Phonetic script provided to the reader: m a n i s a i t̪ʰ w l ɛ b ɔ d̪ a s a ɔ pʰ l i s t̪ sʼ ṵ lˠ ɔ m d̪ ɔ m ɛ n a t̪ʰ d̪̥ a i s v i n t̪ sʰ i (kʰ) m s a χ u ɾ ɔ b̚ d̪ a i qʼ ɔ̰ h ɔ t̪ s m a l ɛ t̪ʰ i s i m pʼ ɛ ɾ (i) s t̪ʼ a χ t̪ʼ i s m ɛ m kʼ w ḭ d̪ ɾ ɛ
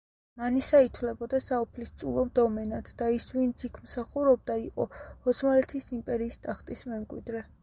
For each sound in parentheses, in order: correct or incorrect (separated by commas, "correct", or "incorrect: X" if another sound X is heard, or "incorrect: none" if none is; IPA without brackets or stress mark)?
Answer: correct, incorrect: iː